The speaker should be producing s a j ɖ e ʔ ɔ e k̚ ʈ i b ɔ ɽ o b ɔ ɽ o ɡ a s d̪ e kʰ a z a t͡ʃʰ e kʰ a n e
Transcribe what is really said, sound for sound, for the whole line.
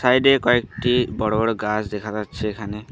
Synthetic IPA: s a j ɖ e k ɔ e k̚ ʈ i b ɔ ɽ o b ɔ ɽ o ɡ a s d̪ e kʰ a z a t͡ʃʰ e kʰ a n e